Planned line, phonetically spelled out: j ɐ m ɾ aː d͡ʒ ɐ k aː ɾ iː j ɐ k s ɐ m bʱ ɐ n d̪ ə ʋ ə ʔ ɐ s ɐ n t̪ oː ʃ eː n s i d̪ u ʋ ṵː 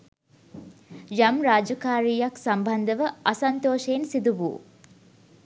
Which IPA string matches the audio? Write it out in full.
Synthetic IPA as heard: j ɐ m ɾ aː d͡ʒ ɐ k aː ɾ iː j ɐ k s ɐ m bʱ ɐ n d̪ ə ʋ ə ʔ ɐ s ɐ n t̪ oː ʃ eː n s i d̪ u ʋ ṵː